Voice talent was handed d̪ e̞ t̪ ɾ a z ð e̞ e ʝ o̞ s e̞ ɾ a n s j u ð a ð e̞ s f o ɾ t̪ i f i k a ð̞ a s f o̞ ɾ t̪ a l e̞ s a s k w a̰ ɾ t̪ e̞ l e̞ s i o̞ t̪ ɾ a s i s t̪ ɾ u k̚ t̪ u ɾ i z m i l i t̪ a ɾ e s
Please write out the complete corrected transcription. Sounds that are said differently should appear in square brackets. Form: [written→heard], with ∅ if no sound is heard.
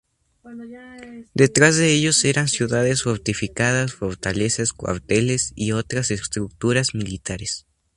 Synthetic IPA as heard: d̪ e̞ t̪ ɾ a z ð e̞ e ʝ o̞ s e̞ ɾ a n s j u ð a ð e̞ s f o ɾ t̪ i f i k a ð̞ a s f o̞ ɾ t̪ a l e̞ s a s k w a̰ ɾ t̪ e̞ l e̞ s i o̞ t̪ ɾ a s [i→e] s t̪ ɾ u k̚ t̪ u ɾ [i→a] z m i l i t̪ a ɾ e s